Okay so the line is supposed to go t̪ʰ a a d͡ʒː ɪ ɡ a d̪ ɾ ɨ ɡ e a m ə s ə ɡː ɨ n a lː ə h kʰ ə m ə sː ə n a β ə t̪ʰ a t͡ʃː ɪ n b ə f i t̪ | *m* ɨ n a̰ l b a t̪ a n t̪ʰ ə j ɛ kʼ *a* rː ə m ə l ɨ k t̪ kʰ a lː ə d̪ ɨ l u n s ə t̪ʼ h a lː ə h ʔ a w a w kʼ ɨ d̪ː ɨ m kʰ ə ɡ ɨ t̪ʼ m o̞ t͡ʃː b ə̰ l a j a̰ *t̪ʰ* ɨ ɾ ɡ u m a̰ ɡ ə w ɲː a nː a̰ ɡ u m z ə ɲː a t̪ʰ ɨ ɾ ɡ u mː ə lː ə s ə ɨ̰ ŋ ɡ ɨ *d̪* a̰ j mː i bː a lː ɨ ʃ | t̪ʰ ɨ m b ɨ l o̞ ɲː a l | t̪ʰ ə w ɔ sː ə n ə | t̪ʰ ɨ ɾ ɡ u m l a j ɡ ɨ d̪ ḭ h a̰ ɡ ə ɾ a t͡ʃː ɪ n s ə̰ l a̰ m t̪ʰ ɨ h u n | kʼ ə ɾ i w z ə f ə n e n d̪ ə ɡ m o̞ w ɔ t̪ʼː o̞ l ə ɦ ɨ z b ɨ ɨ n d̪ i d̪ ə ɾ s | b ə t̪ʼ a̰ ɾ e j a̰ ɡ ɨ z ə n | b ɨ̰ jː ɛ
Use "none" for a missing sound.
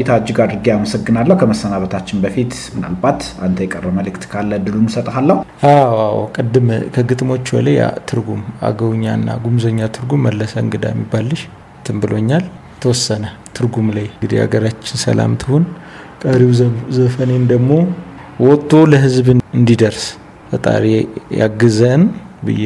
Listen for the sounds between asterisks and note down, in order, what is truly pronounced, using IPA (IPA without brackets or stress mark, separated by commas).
m, ə, t̪ʰ, d̪